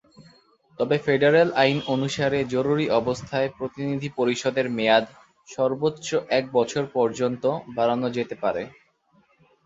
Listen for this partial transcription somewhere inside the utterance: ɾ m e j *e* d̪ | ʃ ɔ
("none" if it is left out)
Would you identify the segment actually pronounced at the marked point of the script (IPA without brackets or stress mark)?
a